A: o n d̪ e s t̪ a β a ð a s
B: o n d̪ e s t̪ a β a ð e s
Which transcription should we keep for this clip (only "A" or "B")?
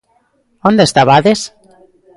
B